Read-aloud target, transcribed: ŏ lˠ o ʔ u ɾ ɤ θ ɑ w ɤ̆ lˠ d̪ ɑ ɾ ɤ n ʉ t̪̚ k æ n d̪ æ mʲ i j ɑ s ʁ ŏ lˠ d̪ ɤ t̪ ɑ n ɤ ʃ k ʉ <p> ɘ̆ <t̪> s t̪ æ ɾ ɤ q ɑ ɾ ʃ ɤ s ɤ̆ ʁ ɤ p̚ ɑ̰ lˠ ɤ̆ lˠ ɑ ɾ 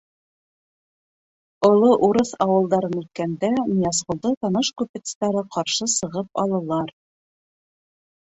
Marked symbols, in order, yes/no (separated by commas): yes, yes